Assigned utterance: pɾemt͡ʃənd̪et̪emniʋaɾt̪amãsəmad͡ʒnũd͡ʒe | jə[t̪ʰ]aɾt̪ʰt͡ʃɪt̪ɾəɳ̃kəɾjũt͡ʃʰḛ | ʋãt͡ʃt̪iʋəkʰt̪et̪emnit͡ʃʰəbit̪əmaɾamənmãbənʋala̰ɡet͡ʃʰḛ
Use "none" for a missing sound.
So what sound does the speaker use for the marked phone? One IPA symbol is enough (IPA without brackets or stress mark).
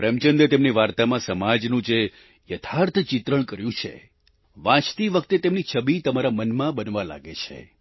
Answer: t̪ʰ